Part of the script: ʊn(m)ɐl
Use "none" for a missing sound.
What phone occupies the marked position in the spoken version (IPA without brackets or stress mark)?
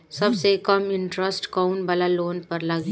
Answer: b